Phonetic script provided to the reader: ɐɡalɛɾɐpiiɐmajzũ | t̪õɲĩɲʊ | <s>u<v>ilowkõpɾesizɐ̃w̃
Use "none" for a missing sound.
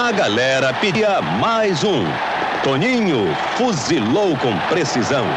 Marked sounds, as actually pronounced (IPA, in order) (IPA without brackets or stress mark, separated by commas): f, z